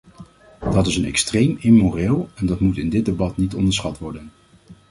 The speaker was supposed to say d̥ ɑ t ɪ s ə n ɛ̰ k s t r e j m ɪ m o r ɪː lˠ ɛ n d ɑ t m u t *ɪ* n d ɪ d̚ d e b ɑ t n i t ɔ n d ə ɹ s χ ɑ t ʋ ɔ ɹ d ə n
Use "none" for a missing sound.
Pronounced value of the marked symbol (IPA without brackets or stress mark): ɪ